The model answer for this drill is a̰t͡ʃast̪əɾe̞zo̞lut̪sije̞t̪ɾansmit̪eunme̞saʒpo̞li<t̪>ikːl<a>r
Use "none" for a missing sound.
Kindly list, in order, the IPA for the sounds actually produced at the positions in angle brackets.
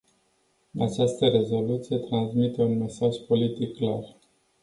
t̪, a

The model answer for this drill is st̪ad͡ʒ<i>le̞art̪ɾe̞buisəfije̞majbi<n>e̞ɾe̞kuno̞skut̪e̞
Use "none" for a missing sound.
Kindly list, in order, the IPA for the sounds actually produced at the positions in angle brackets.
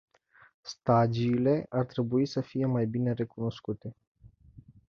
iː, n

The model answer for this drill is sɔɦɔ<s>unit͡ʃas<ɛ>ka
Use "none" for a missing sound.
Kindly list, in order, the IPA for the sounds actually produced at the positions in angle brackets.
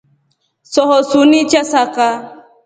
s, a

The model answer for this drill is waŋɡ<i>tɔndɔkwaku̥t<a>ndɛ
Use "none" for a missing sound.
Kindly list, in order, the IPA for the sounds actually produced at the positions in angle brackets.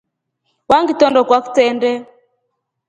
i, ɛ

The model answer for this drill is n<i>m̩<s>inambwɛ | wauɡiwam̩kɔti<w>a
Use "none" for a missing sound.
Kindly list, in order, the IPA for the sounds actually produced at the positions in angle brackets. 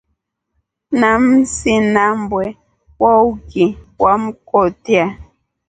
a, s, none

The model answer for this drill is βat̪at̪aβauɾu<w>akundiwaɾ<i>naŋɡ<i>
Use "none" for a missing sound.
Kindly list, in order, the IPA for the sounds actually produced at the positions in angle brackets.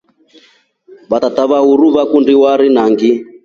β, i, i

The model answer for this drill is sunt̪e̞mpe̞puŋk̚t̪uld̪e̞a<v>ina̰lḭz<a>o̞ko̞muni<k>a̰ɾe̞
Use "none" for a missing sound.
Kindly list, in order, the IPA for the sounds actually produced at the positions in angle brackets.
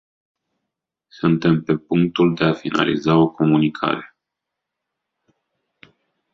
f, a, kʰ

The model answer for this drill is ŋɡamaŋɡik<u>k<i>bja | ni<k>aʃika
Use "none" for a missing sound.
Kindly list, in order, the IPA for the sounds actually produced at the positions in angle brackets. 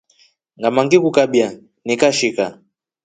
u, a, k

